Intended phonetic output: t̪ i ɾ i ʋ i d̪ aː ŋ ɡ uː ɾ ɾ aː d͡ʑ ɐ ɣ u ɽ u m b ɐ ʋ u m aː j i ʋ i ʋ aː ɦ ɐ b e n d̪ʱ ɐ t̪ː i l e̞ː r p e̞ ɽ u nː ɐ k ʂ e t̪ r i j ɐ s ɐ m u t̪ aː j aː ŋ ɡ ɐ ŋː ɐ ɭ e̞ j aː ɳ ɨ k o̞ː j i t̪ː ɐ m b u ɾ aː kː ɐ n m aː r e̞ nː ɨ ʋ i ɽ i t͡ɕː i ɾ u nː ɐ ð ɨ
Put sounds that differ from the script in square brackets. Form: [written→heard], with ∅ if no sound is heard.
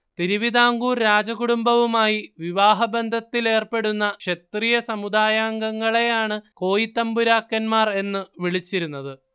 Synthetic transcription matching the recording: t̪ i ɾ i ʋ i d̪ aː ŋ ɡ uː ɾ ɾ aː d͡ʑ ɐ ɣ u ɽ u m b ɐ ʋ u m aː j i ʋ i ʋ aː ɦ ɐ b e n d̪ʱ ɐ t̪ː i l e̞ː r p e̞ ɽ u nː ɐ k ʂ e t̪ r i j ɐ s ɐ m u [t̪→d̪] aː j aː ŋ ɡ ɐ ŋː ɐ ɭ e̞ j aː ɳ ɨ k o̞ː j i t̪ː ɐ m b u ɾ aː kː ɐ n m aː r e̞ nː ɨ ʋ i [ɽ→ɭ] i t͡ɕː i ɾ u nː ɐ ð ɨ